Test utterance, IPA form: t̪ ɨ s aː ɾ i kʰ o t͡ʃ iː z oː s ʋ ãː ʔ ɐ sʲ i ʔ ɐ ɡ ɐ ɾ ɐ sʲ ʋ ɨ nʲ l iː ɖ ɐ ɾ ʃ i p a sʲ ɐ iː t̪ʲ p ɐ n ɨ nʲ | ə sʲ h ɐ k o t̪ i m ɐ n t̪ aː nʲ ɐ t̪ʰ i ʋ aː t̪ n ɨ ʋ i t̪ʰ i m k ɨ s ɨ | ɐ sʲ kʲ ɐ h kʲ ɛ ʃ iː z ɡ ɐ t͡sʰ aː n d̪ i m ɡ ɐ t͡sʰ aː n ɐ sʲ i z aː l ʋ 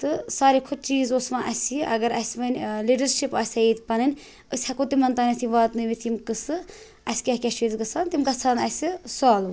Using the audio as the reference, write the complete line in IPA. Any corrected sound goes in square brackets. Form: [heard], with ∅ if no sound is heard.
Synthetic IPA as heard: t̪ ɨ s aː ɾ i kʰ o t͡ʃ iː z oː s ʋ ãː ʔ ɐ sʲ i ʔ ɐ ɡ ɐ ɾ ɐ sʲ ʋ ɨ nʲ l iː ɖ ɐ ɾ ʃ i p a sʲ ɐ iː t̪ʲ p ɐ n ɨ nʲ | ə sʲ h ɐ k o t̪ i m ɐ n t̪ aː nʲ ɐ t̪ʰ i ʋ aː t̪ n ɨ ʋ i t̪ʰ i m k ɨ s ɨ | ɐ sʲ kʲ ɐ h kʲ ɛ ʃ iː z ɡ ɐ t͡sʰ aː n [t̪] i m ɡ ɐ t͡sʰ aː n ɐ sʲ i [s] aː l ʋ